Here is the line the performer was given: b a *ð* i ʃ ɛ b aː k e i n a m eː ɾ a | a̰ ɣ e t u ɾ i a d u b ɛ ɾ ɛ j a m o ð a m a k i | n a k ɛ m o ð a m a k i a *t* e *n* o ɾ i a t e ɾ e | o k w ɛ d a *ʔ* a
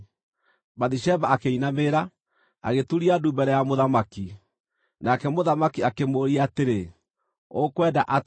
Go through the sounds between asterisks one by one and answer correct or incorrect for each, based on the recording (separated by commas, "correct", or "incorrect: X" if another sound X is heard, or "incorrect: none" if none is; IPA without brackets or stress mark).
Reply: correct, incorrect: k, incorrect: m, correct